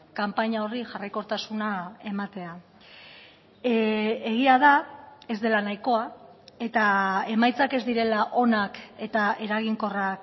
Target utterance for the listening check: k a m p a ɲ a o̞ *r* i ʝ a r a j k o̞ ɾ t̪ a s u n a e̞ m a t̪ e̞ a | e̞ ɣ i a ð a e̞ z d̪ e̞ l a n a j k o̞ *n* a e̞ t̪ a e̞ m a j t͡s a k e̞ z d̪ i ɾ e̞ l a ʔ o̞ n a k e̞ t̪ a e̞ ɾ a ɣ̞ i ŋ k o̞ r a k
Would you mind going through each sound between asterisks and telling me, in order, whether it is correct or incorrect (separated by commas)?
correct, incorrect